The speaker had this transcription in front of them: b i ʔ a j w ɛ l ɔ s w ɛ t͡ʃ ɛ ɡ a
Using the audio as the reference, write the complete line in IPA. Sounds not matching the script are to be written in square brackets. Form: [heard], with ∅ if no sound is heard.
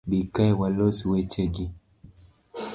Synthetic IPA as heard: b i [k] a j w [a] l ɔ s w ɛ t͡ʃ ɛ ɡ [i]